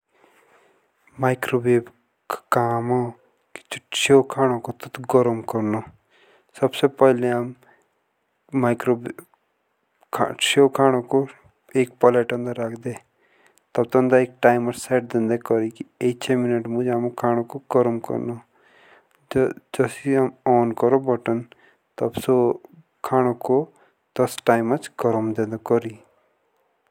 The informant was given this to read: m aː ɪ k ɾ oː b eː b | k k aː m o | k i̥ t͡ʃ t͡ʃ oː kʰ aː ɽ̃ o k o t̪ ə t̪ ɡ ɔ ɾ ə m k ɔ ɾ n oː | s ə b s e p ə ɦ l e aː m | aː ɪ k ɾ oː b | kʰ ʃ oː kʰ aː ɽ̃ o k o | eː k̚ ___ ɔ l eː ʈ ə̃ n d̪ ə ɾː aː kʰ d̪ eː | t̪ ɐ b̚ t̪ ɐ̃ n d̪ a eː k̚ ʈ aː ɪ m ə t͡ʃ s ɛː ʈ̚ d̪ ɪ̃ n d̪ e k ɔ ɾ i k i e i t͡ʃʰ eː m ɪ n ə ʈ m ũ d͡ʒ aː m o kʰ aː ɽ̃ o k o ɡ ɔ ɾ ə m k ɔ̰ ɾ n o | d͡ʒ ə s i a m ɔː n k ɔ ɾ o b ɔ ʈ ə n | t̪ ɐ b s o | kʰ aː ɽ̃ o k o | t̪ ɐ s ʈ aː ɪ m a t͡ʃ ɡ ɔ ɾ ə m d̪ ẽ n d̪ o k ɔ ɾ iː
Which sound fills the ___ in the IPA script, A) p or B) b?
A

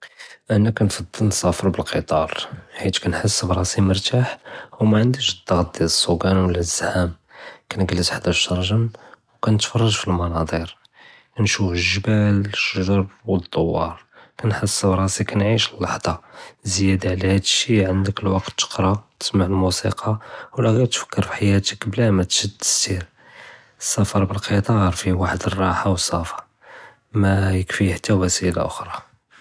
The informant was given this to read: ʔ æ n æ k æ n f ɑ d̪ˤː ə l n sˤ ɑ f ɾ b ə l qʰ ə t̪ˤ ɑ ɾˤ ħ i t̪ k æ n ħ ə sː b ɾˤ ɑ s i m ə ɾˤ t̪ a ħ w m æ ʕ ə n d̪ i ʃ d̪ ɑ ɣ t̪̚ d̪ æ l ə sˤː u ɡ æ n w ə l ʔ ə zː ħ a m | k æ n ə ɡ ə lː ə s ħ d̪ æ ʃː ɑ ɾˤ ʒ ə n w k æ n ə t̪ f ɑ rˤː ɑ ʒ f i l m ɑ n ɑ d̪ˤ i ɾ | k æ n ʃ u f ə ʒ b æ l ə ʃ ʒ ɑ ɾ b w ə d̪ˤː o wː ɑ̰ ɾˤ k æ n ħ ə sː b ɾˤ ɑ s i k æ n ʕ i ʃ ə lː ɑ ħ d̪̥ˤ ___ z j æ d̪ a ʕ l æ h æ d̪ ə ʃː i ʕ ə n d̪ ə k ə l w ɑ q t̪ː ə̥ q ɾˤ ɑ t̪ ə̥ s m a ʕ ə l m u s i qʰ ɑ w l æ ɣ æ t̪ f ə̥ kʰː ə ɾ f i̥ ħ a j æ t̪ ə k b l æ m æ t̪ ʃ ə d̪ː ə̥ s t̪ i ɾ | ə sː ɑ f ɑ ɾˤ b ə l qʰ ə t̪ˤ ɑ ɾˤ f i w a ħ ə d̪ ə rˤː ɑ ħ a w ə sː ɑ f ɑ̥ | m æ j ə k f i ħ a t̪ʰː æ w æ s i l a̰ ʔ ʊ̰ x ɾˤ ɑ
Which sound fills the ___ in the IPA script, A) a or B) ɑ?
B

